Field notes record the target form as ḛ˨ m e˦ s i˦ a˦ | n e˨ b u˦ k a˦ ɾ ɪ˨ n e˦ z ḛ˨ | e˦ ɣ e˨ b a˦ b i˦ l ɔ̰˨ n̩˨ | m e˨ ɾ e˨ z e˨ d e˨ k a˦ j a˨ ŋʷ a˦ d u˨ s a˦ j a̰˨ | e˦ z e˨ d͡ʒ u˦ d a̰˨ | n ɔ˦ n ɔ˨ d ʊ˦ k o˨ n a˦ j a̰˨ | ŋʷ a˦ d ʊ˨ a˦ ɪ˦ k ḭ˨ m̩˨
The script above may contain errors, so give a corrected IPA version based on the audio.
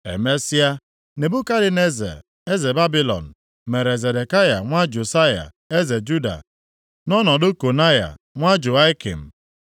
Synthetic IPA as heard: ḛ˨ m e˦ s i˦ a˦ | n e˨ b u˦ k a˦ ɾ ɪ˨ n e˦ z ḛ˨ | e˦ z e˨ b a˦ b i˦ l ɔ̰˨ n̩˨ | m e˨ ɾ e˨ z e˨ d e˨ k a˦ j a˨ ŋʷ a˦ d͡ʒ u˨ s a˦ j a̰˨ | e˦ z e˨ d͡ʒ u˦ d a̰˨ | n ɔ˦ n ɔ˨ d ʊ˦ k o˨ n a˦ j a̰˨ | ŋʷ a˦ d͡ʒ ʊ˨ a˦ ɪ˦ k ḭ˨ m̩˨

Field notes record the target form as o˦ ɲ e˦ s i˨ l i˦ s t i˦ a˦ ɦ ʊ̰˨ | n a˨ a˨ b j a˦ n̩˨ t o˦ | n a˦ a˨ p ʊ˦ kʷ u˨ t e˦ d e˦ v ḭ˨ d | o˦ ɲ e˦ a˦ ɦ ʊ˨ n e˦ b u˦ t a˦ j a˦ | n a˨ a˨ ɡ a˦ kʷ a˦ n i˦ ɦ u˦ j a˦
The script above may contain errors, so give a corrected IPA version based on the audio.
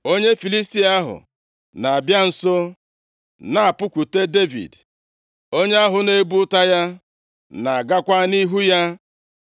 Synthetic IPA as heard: o˦ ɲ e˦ f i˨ l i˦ s t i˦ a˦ ɦ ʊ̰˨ | n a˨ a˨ b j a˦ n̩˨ s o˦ | n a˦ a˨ p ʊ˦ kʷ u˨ t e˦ d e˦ v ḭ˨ d | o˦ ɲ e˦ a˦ ɦ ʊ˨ n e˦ b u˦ t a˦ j a˦ | n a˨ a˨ ɡ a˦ kʷ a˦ n i˦ ɦ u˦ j a˦

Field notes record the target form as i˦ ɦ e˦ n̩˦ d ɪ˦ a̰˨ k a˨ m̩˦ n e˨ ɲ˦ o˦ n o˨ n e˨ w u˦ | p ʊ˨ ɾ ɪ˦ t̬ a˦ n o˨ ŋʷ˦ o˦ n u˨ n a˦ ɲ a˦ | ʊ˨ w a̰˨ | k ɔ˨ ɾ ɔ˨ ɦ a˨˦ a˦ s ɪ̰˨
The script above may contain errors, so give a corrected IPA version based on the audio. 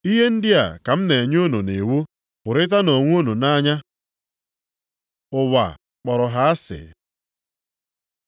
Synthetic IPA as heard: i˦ ɦ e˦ n̩˦ d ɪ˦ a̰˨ k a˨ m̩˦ n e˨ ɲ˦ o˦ n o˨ n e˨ w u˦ | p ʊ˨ ɾ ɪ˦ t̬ a˦ n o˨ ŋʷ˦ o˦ n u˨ n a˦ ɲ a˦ | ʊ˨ w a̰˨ | k͡p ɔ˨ ɾ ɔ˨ ɦ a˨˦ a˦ s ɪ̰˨

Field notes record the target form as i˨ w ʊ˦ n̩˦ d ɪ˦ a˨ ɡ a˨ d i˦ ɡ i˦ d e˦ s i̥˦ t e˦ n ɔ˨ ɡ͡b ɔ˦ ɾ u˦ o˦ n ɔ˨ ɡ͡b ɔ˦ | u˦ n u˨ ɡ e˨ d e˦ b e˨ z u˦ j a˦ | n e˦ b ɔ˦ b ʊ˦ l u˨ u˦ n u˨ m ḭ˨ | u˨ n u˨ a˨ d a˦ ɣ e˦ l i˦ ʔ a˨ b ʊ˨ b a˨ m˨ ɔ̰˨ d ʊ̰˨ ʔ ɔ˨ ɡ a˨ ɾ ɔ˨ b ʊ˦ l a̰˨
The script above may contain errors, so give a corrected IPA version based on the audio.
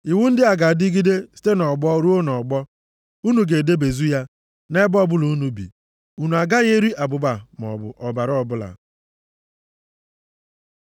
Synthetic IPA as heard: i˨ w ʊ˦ n̩˦ d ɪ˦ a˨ ɡ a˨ d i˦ ɡ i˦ d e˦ s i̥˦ t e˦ n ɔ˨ ɡ͡b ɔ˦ ɾ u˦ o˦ n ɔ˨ ɡ͡b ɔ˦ | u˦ n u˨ ɡ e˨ d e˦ b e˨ z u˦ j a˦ | n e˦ b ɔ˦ b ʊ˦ l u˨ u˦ n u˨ b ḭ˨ | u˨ n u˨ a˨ ɡ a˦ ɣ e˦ ɾ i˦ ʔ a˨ b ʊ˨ b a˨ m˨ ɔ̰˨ b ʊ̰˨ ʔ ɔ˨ b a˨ ɾ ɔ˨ b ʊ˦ l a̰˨

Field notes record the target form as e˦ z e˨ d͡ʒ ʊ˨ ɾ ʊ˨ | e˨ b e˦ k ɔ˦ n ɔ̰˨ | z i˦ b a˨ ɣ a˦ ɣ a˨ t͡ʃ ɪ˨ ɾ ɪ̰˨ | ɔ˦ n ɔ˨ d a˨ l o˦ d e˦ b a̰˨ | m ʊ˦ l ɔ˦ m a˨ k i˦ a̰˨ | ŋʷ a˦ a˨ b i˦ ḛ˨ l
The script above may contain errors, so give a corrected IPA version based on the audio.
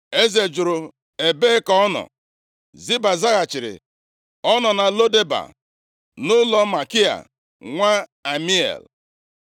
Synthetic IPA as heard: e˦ z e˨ d͡ʒ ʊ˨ ɾ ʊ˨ | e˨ b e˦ k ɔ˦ n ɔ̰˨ | z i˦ b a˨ z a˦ ɣ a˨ t͡ʃ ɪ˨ ɾ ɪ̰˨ | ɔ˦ n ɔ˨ n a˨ l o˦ d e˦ b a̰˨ | n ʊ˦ l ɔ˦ m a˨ k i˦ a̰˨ | ŋʷ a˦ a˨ m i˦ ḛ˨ l

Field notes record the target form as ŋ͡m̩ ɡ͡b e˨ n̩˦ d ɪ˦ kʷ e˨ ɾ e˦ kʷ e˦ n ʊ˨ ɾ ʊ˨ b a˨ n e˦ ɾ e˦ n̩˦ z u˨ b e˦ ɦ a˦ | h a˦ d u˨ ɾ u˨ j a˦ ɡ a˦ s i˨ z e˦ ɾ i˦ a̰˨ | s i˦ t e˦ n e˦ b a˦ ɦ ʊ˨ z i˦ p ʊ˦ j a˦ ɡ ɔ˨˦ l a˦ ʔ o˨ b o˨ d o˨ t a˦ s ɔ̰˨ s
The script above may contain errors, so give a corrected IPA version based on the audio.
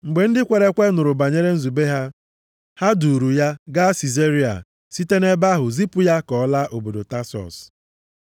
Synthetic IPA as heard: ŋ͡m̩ ɡ͡b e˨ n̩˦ d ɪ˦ kʷ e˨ ɾ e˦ kʷ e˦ n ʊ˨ ɾ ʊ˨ b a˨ ɲ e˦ ɾ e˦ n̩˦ z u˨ b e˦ ɦ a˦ | h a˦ d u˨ ɾ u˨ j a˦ ɡ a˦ s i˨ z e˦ ɾ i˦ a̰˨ | s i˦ t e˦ n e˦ b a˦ ɦ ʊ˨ z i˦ p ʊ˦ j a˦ k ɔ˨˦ l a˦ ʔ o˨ b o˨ d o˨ t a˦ s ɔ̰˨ s

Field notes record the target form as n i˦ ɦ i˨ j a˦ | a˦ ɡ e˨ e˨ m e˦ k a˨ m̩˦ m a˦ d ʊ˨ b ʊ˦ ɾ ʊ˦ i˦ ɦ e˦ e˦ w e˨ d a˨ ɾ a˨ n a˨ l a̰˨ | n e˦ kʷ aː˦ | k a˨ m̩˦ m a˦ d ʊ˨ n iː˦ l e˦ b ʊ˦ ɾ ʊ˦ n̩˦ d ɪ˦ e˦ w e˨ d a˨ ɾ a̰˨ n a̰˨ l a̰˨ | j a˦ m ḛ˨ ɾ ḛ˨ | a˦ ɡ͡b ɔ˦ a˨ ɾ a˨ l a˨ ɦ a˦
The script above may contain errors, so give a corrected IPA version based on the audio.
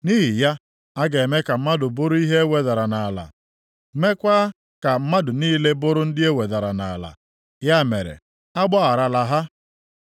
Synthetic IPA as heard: n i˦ ɦ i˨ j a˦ | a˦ ɡ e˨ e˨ m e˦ k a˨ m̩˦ m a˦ d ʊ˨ b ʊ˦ ɾ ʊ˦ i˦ ɦ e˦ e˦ w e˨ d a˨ ɾ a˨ n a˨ l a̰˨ | m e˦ kʷ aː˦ | k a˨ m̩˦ m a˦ d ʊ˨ n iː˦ l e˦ b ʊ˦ ɾ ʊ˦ n̩˦ d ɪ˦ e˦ w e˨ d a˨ ɾ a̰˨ n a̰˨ l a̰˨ | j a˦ m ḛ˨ ɾ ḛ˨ | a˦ ɡ͡b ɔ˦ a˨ ɾ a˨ l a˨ ɦ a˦

